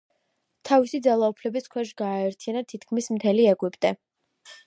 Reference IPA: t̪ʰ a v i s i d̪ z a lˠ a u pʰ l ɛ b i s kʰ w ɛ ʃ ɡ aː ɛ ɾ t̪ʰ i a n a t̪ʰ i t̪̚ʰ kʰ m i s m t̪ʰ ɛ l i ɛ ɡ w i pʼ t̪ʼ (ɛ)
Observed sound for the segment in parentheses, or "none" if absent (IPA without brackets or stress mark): ɛ